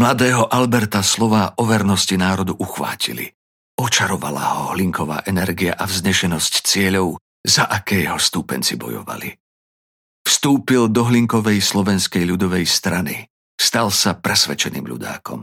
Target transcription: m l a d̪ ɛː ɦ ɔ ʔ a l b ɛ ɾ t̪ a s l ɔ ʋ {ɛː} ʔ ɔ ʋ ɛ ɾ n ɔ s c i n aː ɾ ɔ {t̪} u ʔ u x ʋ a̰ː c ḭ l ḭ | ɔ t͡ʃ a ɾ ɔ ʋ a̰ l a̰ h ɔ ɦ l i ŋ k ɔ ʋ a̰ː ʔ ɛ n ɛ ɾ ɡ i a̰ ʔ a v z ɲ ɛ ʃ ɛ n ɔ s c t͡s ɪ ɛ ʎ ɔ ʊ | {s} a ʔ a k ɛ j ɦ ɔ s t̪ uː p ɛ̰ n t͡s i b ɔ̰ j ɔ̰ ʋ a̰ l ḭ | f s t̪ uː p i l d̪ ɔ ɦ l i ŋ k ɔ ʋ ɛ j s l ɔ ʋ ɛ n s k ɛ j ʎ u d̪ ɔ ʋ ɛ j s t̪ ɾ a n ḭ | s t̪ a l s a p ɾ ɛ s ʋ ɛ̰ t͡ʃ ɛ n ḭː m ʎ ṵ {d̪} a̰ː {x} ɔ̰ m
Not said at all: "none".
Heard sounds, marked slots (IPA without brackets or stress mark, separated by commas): aː, d̪, z, d̪, k